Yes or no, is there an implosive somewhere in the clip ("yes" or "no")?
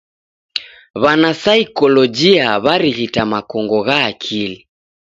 no